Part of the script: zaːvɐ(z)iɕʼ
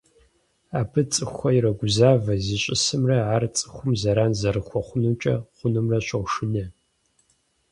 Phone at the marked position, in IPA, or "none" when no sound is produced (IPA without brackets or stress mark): z